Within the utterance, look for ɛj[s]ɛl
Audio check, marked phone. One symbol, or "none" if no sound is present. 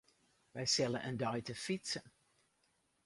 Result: s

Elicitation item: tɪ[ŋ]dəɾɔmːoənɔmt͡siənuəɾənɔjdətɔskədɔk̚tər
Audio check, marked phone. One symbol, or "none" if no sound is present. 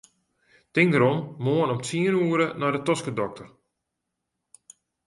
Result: ŋ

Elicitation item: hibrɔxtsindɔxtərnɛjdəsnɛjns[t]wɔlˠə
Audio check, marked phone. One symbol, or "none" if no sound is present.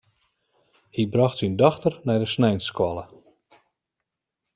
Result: k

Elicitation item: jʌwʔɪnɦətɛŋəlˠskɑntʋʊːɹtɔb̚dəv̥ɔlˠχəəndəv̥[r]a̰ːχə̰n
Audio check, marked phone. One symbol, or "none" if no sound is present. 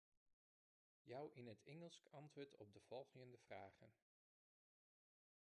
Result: r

